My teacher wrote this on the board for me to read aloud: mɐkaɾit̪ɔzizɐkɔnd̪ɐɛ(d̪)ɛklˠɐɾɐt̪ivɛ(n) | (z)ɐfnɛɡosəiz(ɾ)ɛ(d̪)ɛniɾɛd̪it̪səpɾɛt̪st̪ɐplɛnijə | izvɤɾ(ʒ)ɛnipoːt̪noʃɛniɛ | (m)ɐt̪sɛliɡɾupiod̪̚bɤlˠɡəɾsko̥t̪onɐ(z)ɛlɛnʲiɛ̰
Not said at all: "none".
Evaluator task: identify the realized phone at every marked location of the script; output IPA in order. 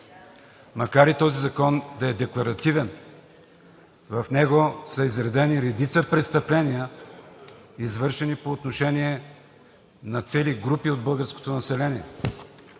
d̪, n, v, ɾ, d̪, ʃ, n, s

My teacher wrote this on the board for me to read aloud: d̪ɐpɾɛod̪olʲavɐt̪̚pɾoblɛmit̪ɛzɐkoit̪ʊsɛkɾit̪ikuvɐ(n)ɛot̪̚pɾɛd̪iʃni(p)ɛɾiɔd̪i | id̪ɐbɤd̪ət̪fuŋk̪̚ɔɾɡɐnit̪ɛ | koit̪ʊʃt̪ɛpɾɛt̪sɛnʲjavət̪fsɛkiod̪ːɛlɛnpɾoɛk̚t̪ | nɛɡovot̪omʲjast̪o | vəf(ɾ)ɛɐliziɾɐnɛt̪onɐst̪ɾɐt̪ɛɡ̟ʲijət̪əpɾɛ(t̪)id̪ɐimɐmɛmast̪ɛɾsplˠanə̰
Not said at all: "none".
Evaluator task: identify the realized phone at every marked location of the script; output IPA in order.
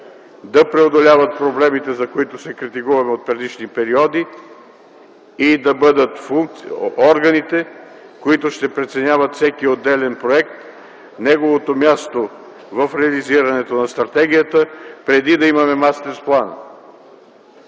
m, p, ɾ, d̪

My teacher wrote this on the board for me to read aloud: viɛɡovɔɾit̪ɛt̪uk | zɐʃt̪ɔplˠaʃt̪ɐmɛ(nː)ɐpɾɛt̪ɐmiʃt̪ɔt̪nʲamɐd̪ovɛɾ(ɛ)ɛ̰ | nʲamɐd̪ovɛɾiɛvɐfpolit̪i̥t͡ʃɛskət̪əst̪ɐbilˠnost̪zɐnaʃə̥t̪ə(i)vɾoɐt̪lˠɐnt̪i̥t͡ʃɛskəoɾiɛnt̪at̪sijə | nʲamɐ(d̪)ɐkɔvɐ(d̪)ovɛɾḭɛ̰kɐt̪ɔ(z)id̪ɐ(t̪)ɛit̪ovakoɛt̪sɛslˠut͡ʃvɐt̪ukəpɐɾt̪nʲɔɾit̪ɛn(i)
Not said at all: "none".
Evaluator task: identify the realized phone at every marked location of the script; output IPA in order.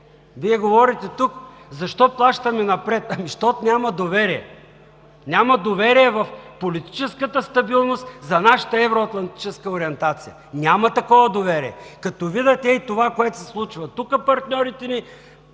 n, i, ɛ, t̪, d̪, v, t̪, i

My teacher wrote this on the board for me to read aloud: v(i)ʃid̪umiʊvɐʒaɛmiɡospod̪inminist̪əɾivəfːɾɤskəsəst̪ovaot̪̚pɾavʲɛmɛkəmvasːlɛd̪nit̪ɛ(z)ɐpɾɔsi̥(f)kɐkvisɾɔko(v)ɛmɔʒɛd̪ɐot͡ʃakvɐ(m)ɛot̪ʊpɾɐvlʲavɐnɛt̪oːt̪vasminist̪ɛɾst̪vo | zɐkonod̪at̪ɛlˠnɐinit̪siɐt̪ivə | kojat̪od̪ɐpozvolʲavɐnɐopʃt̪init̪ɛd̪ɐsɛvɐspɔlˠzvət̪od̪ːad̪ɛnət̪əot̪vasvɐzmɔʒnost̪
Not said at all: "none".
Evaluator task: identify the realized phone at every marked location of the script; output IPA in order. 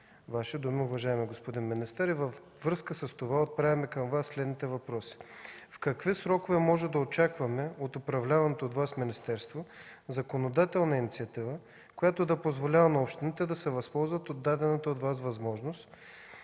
a, v, f, v, m

